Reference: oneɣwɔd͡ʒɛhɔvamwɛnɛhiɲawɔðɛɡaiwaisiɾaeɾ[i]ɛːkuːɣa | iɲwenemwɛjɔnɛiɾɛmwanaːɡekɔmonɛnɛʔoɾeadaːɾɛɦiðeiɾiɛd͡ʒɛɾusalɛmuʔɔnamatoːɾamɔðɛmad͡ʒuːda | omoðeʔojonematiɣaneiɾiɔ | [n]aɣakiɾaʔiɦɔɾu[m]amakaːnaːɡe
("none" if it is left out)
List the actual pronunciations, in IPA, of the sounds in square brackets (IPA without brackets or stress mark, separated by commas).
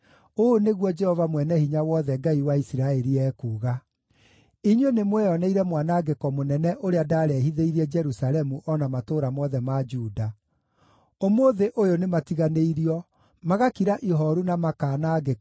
i, m, n